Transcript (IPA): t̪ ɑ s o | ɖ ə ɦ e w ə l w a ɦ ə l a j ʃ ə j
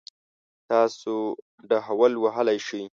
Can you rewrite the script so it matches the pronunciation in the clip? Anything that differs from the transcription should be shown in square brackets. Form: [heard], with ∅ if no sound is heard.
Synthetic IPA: t̪ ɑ s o | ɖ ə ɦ [a] w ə l w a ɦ ə l a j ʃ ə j